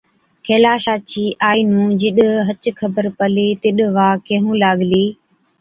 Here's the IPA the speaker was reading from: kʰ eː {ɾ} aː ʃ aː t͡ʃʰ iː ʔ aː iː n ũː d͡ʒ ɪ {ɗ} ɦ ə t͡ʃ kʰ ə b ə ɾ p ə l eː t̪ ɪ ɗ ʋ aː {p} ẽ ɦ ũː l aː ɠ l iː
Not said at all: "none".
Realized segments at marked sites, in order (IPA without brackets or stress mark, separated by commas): l, ɗ, k